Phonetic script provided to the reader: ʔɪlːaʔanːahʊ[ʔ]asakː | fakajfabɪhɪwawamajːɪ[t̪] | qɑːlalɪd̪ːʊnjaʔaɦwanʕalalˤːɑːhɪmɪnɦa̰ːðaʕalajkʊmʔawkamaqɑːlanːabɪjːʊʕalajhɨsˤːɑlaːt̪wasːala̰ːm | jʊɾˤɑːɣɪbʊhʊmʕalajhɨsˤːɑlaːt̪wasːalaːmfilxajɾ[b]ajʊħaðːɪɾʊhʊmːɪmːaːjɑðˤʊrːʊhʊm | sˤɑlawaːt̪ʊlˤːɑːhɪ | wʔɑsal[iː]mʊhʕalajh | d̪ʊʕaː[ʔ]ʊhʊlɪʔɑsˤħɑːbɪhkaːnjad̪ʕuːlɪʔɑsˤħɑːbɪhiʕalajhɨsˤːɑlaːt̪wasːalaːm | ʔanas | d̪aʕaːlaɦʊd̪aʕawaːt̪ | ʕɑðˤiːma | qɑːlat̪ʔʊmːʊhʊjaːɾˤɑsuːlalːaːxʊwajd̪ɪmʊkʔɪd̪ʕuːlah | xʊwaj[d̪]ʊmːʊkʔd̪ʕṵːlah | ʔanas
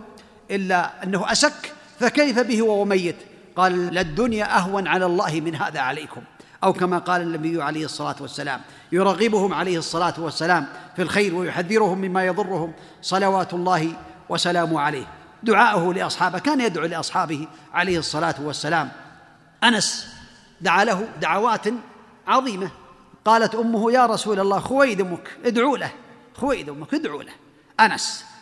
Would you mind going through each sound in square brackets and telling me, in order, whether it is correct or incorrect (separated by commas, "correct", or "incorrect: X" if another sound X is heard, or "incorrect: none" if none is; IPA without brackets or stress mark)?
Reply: correct, correct, incorrect: w, incorrect: aː, correct, correct